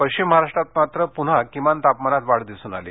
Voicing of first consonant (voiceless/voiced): voiceless